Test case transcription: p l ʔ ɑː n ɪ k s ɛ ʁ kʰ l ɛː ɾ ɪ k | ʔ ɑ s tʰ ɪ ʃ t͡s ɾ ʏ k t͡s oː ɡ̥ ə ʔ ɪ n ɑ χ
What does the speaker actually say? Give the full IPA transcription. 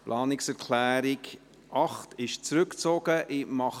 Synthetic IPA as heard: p l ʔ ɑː n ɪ k s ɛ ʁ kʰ l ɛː ɾ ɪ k | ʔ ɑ χ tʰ ɪ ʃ t͡s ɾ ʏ k t͡s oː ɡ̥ ə ʔ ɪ m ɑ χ